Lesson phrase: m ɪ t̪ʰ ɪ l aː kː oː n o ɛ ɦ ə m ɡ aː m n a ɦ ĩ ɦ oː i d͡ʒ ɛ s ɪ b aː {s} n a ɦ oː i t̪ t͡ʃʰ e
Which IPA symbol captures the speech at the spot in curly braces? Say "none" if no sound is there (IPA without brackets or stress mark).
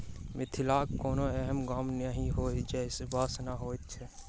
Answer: s